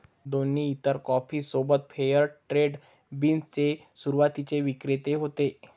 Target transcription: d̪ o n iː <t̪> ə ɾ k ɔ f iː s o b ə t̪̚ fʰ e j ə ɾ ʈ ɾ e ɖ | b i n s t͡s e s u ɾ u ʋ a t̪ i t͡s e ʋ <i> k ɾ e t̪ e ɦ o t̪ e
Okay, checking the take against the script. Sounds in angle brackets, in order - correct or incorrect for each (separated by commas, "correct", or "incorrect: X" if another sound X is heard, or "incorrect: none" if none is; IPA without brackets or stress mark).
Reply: correct, correct